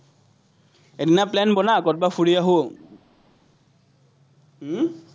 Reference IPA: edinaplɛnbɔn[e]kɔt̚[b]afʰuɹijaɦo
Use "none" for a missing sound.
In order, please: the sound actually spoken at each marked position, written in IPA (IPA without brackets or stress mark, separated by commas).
a, b